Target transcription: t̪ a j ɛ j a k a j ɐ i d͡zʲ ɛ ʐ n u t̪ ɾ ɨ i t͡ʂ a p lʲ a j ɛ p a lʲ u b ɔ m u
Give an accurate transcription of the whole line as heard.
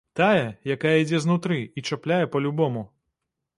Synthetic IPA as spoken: t̪ a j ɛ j a k a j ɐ i d͡zʲ ɛ z n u t̪ ɾ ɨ i t͡ʂ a p lʲ a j ɛ p ɐ lʲ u b ɔ m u